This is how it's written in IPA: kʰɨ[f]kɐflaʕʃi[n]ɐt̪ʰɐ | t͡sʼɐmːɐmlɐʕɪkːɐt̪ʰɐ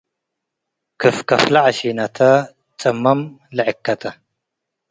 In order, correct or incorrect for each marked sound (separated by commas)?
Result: correct, correct